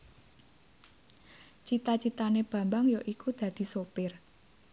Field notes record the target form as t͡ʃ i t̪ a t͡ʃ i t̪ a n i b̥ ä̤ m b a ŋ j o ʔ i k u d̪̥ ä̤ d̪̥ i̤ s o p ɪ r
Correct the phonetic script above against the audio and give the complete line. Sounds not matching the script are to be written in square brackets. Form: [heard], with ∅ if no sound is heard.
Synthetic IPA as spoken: t͡ʃ i t̪ a t͡ʃ i t̪ a n [e] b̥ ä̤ m b a ŋ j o ʔ i k u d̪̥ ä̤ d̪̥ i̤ s o p ɪ r